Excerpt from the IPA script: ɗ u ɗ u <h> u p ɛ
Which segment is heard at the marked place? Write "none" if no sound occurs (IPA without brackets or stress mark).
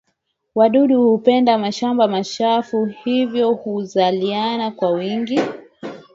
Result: h